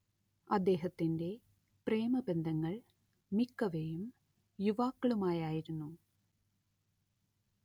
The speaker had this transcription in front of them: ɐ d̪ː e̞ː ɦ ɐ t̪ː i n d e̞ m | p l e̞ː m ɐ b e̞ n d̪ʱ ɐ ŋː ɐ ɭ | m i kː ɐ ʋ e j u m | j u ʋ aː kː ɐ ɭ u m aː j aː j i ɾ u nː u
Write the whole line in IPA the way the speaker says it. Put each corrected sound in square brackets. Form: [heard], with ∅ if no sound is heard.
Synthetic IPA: ɐ d̪ː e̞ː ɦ ɐ t̪ː i n d e̞ [∅] | p [r] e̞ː m ɐ b e̞ n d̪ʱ ɐ ŋː ɐ ɭ | m i kː ɐ ʋ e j u m | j u ʋ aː kː ɐ ɭ u m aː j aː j i ɾ u nː u